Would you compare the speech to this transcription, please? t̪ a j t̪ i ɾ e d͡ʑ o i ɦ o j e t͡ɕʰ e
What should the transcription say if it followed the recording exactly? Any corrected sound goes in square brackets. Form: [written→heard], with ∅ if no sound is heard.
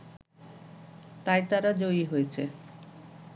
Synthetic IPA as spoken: t̪ a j t̪ [i→a] ɾ [e→a] d͡ʑ o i ɦ o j e t͡ɕʰ e

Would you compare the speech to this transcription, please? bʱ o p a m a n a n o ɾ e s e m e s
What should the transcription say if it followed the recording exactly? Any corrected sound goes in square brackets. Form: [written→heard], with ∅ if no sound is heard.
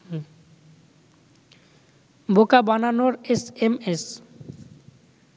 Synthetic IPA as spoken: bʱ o [p→k] a [m→b] a n a n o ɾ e s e m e s

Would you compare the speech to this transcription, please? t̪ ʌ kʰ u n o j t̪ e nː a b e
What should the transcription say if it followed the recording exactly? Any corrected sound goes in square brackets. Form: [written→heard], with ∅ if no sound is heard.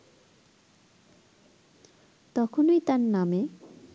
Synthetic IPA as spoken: t̪ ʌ kʰ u n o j t̪ [e→a] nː a [b→m] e

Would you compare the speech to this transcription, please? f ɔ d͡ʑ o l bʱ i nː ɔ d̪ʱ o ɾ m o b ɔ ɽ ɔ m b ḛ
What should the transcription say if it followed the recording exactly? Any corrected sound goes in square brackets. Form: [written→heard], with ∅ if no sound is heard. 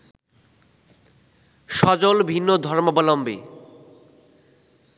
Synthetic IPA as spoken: [f→ʃ] ɔ d͡ʑ o l bʱ i nː [ɔ→o] d̪ʱ [o→ɔ] ɾ m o b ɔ [ɽ→l] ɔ m b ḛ

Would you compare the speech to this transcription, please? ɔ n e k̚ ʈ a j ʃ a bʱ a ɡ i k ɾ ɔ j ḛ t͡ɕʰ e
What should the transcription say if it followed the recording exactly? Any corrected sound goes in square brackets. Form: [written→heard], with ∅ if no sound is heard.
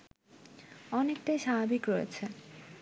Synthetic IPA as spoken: ɔ n e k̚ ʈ a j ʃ a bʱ a [ɡ→b] i k ɾ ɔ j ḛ t͡ɕʰ e

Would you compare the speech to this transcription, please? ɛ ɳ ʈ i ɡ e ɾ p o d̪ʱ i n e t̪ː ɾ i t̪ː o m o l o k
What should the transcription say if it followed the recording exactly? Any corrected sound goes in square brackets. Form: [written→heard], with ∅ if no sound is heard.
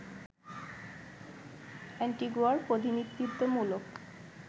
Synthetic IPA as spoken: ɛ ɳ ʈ i ɡ [e→a] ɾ p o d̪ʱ i n [e→i] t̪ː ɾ i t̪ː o m [o→u] l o k

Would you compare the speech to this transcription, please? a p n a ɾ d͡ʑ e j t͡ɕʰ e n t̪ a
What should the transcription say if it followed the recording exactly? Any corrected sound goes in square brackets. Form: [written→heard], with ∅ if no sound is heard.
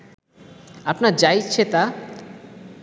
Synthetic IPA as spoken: a p n a ɾ d͡ʑ [e→a] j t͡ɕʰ e [n→∅] t̪ a

